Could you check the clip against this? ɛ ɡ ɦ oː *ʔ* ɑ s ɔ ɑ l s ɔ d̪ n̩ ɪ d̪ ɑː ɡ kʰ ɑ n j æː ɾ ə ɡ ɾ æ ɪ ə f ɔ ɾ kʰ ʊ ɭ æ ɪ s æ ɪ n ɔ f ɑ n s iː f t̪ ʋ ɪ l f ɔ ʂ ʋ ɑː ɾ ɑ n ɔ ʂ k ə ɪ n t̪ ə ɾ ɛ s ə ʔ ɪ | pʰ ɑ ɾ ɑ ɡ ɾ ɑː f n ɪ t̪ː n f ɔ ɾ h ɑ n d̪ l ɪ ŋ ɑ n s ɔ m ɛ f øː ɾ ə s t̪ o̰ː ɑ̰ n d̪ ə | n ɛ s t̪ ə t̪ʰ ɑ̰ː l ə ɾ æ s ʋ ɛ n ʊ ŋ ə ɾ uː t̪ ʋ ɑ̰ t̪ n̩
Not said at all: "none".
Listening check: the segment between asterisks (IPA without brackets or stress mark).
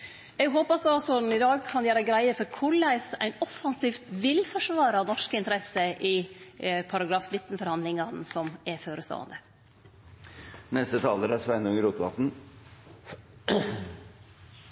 p